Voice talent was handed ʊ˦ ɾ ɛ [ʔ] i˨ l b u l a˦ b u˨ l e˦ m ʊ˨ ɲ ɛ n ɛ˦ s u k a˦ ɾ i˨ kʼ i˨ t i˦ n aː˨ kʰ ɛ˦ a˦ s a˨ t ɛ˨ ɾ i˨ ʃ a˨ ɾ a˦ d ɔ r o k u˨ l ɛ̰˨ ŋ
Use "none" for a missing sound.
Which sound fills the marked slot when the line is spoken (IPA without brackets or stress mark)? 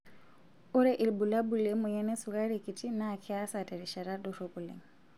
ʔ